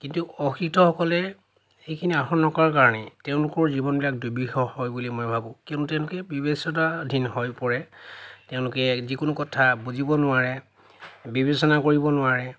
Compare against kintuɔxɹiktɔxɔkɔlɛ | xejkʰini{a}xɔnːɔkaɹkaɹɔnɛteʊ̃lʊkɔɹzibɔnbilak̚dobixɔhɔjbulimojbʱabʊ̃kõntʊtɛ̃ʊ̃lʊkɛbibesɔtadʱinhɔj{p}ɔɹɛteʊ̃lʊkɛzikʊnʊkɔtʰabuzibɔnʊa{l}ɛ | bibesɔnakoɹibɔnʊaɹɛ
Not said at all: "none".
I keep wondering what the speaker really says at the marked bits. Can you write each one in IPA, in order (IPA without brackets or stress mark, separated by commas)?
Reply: a, p, ɹ